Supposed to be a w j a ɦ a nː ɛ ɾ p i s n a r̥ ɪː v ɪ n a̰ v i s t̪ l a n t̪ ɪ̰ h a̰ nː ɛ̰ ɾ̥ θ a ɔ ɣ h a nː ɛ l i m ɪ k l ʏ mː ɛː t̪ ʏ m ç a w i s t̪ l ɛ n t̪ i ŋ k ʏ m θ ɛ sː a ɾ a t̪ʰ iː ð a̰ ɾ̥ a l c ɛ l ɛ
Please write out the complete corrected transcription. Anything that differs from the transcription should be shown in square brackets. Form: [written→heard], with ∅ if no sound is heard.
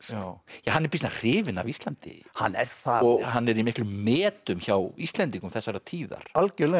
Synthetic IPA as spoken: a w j a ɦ a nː ɛ ɾ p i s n a r̥ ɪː v ɪ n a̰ v i s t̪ l a n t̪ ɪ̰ h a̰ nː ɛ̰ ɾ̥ θ a ɔ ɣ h a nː ɛ [l→ɾ] i m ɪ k l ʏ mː ɛː t̪ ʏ m ç a w i s t̪ l ɛ n t̪ i ŋ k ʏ m θ ɛ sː a ɾ a t̪ʰ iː ð a̰ ɾ̥ a l c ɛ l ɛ

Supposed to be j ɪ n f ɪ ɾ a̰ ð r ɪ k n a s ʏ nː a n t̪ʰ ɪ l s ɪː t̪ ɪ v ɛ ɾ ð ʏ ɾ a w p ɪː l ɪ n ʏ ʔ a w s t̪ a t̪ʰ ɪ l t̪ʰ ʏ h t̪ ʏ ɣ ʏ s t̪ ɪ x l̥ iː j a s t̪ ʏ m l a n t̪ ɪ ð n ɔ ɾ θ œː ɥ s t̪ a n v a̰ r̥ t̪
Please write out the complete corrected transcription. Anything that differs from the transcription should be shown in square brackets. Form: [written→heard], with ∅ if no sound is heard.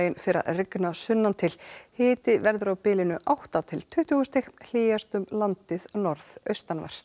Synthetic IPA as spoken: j ɪ n f ɪ ɾ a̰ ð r ɪ k n a s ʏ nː a n t̪ʰ ɪ l [s→h] ɪː t̪ ɪ v ɛ ɾ ð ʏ ɾ a w p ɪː l ɪ n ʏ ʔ a w [s→h] t̪ a t̪ʰ ɪ l t̪ʰ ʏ h t̪ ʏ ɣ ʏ s t̪ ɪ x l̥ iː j a s t̪ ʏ m l a n t̪ ɪ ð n ɔ ɾ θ [œː→œ] ɥ s t̪ a n v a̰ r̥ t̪

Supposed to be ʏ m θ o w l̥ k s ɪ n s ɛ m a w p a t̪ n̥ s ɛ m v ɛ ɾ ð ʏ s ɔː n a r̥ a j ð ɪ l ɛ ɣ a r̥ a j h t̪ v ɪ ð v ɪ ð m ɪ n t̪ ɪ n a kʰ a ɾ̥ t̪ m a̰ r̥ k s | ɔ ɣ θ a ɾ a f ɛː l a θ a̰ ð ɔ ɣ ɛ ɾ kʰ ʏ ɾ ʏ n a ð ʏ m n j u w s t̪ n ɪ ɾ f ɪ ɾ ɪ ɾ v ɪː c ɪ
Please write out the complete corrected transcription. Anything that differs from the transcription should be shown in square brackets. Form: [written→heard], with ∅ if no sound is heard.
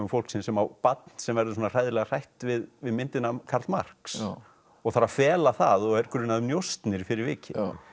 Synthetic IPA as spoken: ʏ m [θ→f] o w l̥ k s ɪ n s ɛ m a w p a t̪ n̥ s ɛ m v ɛ ɾ ð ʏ s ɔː n a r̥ a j ð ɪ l ɛ ɣ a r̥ a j h t̪ v ɪ ð v ɪ ð m ɪ n t̪ ɪ n a kʰ a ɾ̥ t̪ m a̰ r̥ k s | ɔ ɣ θ a ɾ a f ɛː l a θ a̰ ð ɔ ɣ ɛ ɾ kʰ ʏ ɾ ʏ n a ð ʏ m n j [u→o] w s t̪ n ɪ ɾ f ɪ ɾ ɪ ɾ v ɪː c ɪ

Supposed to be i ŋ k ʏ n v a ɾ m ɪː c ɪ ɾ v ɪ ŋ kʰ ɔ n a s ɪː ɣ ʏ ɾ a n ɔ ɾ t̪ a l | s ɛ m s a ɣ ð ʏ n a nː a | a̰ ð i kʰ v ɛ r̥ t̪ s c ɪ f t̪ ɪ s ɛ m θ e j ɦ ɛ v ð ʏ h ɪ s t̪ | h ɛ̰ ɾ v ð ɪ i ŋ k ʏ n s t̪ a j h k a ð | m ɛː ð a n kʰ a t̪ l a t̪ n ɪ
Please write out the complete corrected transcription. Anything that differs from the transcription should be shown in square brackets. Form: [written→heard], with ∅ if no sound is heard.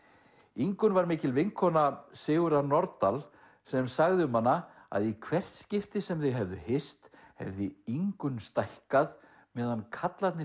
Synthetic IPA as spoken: i ŋ k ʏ n v a ɾ m ɪː c ɪ [ɾ→l] v ɪ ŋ kʰ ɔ n a s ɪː ɣ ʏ ɾ a n ɔ ɾ t̪ a l | s ɛ m s a ɣ ð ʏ [n→m] a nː a | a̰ ð i kʰ v ɛ r̥ t̪ s c ɪ f t̪ ɪ s ɛ m θ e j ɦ ɛ v ð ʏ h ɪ s t̪ | h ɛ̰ [ɾ→∅] v ð ɪ i ŋ k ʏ n s t̪ a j h k a ð | m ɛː ð a n kʰ a t̪ l a t̪ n ɪ

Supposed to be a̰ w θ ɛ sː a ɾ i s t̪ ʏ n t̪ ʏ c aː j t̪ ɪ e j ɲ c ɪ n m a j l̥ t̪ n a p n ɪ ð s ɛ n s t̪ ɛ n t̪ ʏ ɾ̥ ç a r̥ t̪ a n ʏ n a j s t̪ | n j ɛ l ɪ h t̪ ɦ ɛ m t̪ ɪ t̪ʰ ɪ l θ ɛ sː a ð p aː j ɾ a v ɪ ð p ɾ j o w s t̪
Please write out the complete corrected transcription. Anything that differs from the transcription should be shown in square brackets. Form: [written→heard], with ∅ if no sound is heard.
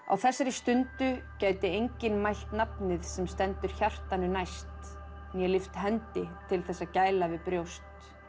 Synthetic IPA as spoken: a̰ w θ ɛ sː a ɾ [i→ɪ] s t̪ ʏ n t̪ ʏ c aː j t̪ ɪ e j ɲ c ɪ n m a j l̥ t̪ n a p n ɪ ð s ɛ [n→m] s t̪ ɛ n t̪ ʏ ɾ̥ ç a r̥ t̪ a n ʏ n a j s t̪ | n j ɛ l ɪ [h→f] t̪ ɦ ɛ [m→n] t̪ ɪ t̪ʰ ɪ l θ ɛ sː a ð [p→c] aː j [ɾ→l] a v ɪ ð p ɾ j o w s t̪

